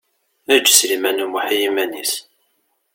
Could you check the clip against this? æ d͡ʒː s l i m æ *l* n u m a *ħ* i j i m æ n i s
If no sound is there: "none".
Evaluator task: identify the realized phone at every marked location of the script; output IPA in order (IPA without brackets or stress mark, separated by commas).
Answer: none, ħ